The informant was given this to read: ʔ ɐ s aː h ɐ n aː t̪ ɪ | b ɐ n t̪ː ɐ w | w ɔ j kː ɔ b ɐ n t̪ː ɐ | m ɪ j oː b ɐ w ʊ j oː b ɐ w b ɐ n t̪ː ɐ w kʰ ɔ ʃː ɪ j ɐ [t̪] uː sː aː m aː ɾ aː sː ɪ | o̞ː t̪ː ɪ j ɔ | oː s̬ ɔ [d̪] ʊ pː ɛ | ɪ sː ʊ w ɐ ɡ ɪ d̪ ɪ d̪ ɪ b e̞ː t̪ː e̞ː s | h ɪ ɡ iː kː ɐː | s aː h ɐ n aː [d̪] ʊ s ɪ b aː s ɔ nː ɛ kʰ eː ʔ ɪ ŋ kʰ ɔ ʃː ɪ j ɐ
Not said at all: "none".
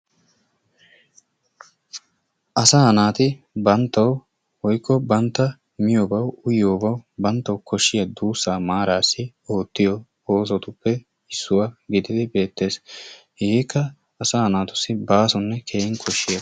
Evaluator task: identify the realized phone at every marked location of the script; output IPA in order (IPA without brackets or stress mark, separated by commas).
d̪, t̪, t̪